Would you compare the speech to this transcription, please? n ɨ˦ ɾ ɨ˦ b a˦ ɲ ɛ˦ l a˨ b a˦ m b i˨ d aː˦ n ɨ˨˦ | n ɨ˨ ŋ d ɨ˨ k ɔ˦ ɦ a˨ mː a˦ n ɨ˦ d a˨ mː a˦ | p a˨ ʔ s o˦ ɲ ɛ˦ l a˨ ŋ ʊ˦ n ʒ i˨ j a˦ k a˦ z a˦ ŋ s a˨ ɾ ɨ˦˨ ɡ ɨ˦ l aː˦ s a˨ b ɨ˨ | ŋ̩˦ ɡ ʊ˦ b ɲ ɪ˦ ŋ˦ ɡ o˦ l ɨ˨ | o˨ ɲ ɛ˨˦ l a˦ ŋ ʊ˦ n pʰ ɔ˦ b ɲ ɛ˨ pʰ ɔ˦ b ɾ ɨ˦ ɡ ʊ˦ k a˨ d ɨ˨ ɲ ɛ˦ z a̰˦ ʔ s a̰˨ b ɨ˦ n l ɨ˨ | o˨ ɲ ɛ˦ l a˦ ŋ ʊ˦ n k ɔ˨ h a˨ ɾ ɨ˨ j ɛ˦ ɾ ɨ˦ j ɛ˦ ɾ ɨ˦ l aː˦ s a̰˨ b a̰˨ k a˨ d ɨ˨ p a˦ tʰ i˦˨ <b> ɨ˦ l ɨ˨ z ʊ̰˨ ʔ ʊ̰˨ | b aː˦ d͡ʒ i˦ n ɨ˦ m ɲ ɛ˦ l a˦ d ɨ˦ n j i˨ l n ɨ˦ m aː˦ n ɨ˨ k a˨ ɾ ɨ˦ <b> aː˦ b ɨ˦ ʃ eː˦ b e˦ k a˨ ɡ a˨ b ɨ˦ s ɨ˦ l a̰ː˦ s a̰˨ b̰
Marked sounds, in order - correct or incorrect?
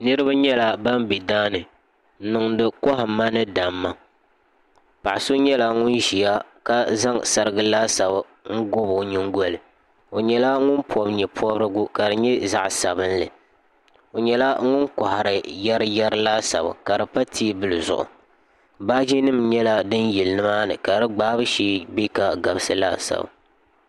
correct, incorrect: ɡ͡b

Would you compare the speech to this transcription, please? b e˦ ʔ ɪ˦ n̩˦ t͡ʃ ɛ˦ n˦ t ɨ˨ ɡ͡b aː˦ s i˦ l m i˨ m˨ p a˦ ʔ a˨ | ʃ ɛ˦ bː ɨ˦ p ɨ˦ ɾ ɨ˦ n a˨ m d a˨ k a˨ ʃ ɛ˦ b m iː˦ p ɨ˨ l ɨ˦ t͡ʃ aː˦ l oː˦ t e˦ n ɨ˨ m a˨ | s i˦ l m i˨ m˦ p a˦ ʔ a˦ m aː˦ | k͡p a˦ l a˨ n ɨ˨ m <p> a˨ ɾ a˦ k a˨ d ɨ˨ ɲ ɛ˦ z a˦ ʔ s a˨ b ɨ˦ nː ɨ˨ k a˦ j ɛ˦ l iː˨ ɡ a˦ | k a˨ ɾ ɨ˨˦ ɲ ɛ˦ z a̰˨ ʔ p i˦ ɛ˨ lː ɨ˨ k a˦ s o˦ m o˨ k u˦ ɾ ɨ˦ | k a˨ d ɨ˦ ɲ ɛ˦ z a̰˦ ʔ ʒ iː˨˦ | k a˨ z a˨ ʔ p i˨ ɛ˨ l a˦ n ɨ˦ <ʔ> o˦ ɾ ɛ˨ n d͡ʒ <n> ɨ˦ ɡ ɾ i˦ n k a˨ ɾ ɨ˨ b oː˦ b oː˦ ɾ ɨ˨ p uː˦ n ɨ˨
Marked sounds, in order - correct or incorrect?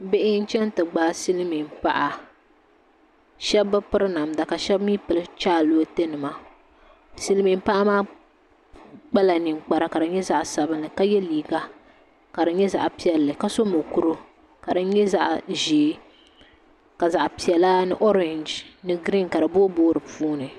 incorrect: k͡p, correct, correct

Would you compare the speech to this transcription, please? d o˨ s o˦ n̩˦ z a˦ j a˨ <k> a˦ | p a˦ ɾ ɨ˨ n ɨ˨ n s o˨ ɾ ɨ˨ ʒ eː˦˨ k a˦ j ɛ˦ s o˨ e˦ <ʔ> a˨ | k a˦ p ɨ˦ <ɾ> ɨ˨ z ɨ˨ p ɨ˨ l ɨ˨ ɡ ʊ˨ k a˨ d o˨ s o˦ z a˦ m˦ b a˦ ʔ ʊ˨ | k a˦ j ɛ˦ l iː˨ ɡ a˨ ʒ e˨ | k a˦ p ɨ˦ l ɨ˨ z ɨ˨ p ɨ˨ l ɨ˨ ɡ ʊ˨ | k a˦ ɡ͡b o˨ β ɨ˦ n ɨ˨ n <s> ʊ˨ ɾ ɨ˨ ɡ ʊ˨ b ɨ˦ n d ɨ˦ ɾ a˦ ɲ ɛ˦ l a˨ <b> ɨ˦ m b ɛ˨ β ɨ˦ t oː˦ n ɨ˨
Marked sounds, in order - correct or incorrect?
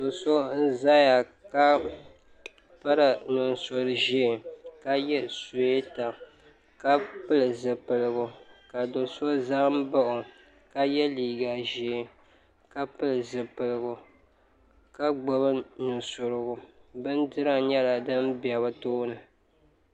correct, incorrect: t, incorrect: l, correct, incorrect: d

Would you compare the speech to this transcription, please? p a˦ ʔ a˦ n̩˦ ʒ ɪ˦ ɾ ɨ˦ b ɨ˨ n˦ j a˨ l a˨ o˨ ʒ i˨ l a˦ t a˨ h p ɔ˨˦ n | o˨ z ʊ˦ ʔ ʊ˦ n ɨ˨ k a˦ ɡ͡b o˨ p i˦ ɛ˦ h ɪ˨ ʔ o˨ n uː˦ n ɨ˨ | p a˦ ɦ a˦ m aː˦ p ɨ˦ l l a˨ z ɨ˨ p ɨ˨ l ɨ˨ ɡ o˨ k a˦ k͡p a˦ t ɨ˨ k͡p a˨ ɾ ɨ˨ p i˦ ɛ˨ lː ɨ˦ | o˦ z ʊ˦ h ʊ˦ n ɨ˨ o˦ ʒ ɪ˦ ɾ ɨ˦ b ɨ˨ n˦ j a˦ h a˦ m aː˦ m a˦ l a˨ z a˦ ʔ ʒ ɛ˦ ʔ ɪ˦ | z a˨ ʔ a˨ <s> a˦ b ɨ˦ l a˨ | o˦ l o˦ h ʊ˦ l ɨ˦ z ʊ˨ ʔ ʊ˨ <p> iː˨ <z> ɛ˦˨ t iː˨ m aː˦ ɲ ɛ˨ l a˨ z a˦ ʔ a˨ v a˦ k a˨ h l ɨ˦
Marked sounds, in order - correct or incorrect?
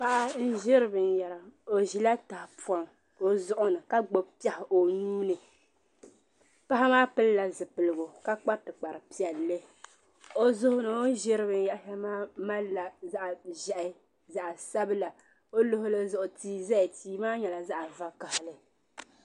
correct, incorrect: t, correct

